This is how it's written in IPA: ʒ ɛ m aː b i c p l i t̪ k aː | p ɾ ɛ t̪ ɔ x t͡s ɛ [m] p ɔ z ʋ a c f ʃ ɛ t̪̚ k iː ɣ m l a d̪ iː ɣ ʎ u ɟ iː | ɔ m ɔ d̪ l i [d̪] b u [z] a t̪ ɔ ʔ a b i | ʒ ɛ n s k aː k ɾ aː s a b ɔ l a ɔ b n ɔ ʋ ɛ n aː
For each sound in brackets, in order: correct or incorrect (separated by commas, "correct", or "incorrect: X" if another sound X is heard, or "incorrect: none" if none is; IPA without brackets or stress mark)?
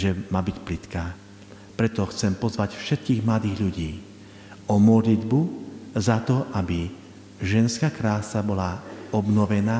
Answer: correct, correct, correct